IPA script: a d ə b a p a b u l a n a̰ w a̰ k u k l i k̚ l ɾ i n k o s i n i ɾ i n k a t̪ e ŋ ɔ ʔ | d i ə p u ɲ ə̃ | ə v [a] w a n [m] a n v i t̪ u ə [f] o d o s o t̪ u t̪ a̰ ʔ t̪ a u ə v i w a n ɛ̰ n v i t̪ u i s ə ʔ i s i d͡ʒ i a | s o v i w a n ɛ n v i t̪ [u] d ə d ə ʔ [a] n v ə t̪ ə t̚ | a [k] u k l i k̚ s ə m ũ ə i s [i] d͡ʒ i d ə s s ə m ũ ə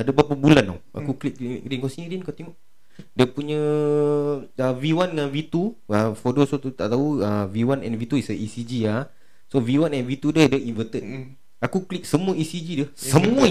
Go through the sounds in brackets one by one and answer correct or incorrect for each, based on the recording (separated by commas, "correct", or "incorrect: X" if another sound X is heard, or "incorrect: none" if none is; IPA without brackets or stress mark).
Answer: incorrect: i, incorrect: ŋ, correct, correct, incorrect: i, correct, correct